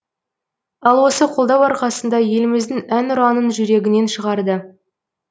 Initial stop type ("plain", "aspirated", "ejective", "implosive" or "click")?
aspirated